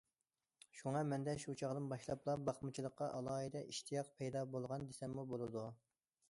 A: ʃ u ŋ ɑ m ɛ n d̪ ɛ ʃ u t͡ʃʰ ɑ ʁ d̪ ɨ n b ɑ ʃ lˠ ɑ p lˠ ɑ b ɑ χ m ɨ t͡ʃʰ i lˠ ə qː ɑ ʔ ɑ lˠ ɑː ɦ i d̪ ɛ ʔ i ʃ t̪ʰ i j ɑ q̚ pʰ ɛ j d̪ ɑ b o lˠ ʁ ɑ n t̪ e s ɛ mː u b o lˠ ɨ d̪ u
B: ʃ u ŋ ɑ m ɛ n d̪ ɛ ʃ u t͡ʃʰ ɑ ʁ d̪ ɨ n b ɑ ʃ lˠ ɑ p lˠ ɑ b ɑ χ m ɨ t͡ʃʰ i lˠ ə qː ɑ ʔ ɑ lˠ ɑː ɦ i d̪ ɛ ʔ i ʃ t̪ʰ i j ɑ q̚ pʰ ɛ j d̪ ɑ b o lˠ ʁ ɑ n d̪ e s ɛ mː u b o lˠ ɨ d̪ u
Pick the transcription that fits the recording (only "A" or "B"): B